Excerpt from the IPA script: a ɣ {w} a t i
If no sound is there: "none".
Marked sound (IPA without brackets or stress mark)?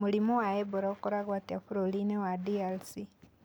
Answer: w